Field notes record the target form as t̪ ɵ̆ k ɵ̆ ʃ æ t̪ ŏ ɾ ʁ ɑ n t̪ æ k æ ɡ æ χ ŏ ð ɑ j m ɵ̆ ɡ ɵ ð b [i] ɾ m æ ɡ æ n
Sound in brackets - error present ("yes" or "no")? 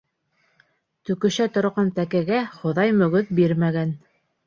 no